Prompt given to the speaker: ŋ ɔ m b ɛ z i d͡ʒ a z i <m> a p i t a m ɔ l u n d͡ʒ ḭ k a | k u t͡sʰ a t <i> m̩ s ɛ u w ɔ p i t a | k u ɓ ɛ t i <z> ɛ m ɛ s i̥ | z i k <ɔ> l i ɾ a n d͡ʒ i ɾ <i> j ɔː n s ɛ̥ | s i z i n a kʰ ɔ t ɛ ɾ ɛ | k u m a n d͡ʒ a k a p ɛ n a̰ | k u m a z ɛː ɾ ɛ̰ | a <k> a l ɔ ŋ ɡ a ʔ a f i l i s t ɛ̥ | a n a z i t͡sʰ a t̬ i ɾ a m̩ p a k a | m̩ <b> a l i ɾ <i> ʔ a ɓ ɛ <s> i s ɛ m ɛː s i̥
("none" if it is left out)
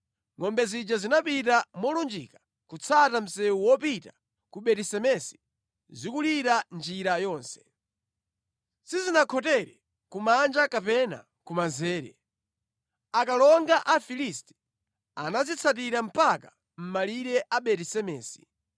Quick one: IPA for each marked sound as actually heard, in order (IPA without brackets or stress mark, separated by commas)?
n, a, s, u, a, k, m, ɛ, t